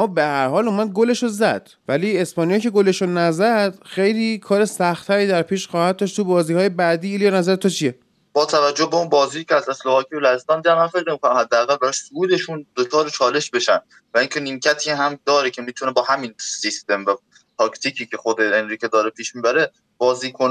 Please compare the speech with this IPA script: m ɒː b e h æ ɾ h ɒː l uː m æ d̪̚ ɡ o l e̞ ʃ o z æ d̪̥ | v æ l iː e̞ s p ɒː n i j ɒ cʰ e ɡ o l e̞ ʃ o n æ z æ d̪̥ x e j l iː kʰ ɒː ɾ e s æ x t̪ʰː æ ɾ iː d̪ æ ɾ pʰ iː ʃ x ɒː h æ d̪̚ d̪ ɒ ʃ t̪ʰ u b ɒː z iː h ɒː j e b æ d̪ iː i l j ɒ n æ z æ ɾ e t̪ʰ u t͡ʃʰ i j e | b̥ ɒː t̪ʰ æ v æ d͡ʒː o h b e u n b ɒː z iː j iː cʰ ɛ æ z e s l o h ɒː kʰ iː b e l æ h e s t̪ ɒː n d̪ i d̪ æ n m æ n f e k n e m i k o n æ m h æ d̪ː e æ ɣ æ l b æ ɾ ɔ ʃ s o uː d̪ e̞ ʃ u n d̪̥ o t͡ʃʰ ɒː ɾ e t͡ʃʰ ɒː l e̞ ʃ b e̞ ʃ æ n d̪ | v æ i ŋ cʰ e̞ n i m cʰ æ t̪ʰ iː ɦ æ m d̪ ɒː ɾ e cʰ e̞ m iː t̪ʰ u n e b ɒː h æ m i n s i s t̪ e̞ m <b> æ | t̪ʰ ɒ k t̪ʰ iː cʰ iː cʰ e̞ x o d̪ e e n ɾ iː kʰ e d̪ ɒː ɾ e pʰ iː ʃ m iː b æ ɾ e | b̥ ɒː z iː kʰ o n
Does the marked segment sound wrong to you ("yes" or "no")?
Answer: yes